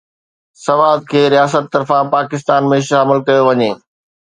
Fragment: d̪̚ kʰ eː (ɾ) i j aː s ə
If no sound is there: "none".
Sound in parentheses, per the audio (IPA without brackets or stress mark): ɾ